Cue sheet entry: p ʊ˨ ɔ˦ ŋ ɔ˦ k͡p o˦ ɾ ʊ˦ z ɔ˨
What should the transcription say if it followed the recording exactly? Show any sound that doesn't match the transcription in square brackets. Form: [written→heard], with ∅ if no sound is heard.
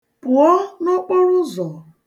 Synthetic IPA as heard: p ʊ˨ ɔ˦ [ŋ→n] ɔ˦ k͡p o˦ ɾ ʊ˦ z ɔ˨